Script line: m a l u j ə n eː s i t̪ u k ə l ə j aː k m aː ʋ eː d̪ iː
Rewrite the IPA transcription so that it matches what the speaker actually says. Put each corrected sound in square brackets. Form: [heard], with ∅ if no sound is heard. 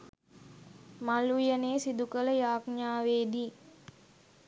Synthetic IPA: m a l u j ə n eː s i [d̪] u k ə l ə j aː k [ɲ] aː ʋ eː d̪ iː